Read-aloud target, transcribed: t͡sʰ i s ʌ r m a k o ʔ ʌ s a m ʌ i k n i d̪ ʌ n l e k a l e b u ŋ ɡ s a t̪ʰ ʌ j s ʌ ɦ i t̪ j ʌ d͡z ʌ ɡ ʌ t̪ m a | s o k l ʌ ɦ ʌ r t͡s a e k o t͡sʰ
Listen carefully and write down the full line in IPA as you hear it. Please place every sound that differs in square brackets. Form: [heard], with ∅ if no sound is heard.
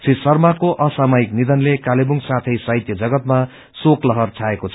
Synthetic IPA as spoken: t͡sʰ i s ʌ r m a k o ʔ ʌ s a m ʌ i k n i d̪ ʌ n l e k a l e b u ŋ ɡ s a t̪ʰ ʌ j s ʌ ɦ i t̪ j ʌ d͡z ʌ ɡ ʌ t̪ m a | s o k l ʌ ɦ ʌ r [t͡sʰ] a e k o t͡sʰ